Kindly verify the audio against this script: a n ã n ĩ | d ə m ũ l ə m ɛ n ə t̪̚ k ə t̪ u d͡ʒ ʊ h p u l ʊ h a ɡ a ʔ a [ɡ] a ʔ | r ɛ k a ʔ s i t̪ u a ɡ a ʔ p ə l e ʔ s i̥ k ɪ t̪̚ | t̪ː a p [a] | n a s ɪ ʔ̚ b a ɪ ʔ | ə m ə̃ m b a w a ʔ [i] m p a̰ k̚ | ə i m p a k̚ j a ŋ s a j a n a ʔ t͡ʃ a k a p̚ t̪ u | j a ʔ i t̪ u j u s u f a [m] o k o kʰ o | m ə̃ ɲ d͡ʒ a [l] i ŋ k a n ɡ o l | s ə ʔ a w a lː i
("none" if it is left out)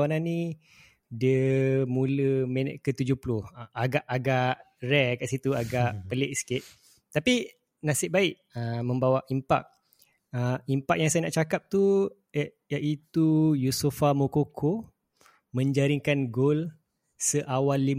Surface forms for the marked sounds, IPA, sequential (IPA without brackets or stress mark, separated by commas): ɡ, i, i, m, ɾ